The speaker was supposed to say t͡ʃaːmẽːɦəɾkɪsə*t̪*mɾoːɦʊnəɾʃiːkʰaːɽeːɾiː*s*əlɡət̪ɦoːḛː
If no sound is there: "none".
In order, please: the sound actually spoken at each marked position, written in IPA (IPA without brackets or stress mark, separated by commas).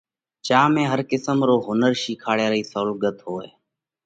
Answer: none, s